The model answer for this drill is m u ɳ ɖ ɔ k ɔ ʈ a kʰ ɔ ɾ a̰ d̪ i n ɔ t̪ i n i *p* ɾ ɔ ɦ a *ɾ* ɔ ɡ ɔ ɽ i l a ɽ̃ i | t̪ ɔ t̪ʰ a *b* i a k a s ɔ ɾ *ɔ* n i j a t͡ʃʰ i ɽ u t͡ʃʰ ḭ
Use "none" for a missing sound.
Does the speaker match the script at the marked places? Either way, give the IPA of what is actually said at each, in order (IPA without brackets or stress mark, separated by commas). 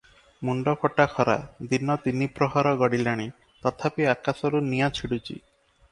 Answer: p, ɾ, p, u